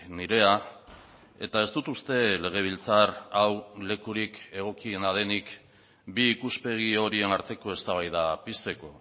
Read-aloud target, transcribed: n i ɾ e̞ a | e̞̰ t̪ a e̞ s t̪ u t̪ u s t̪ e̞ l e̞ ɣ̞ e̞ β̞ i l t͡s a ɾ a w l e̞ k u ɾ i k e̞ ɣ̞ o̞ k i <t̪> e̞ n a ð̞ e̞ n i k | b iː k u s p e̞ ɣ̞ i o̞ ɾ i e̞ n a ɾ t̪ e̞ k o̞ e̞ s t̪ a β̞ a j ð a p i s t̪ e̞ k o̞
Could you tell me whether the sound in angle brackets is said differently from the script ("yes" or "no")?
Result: yes